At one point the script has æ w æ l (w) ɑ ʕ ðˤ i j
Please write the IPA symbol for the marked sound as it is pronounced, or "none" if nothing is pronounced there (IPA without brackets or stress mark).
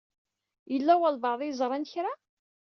v